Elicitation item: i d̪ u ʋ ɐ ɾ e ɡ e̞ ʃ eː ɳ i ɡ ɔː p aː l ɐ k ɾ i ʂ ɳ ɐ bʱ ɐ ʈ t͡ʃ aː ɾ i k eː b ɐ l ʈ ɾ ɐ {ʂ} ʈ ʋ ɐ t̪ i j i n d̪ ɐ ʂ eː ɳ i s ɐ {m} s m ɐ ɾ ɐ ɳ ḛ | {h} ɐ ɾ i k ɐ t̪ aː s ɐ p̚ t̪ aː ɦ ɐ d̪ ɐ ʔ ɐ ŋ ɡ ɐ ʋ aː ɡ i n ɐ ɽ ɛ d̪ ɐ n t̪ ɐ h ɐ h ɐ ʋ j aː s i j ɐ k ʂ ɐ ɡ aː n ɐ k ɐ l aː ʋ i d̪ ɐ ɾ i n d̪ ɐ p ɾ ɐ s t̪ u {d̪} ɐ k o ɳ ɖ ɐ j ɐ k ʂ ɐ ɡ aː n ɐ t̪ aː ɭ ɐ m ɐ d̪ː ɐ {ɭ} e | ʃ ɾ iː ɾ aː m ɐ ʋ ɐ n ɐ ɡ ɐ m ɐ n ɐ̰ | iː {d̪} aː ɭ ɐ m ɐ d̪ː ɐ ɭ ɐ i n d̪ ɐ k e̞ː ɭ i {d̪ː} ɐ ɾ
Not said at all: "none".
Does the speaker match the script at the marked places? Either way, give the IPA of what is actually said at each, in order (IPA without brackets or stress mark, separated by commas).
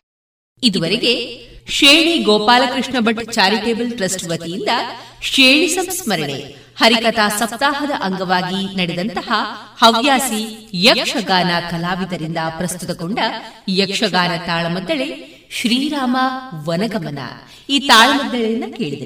s, m, h, t̪, ɭ, t̪, d̪